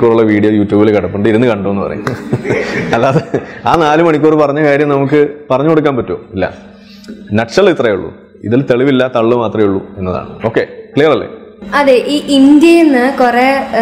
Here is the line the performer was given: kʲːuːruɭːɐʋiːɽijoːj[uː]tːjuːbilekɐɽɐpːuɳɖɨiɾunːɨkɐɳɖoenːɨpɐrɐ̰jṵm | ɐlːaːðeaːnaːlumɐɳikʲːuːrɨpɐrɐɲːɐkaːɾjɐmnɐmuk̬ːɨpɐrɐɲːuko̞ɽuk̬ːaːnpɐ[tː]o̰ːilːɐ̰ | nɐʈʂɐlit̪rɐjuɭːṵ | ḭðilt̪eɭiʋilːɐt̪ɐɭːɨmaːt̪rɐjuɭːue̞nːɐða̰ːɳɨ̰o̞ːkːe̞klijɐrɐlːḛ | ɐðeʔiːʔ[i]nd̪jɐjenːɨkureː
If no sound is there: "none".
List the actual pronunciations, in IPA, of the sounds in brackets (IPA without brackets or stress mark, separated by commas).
uː, tː, i